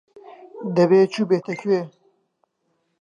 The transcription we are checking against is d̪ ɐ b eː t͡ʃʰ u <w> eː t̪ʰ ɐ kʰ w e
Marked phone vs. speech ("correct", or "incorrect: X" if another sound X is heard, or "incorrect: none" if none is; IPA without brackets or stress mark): incorrect: b